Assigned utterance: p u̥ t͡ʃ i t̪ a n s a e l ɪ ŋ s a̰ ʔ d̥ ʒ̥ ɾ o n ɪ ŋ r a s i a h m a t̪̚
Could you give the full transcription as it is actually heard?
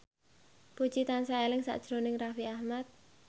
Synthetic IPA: p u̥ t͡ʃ i t̪ a n s a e l ɪ ŋ s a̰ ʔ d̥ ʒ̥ ɾ o n ɪ ŋ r a f i a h m a t̪̚